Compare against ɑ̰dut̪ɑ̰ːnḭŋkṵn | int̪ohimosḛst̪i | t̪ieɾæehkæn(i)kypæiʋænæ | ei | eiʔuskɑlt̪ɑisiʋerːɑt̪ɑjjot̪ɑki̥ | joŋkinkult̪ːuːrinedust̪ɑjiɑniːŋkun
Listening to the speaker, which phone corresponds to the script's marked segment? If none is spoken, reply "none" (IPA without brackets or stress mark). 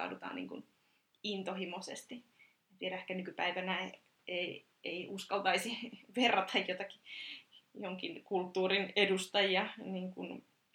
y